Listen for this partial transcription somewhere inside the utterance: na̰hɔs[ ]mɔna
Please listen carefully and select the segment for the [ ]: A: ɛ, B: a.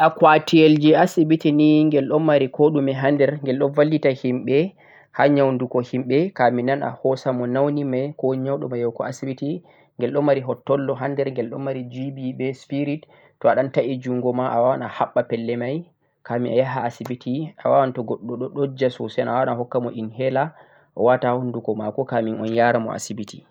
B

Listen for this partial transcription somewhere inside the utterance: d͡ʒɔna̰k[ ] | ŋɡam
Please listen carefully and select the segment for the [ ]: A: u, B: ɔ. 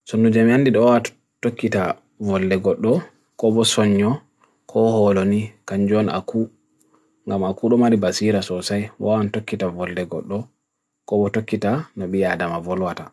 A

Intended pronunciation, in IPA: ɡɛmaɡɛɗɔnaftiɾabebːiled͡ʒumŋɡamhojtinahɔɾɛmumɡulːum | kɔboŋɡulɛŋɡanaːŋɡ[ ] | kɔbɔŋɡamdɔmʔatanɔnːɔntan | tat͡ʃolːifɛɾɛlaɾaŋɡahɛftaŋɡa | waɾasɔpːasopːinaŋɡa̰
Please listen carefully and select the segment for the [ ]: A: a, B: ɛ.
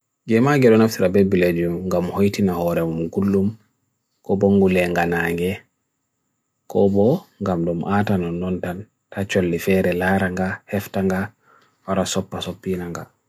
B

